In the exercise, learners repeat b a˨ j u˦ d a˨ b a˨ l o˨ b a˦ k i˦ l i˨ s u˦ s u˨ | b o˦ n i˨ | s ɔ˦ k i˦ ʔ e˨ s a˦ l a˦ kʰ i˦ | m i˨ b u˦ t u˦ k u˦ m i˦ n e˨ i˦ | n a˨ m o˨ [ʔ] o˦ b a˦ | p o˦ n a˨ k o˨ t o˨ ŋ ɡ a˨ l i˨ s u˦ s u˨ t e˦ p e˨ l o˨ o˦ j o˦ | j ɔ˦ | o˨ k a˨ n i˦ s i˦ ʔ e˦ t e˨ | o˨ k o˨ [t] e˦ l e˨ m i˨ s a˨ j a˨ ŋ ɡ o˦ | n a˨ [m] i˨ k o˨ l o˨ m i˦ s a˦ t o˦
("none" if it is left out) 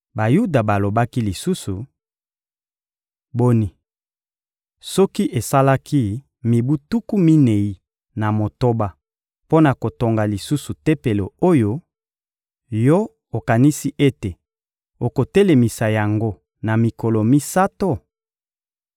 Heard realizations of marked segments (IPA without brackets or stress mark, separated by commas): t, t, m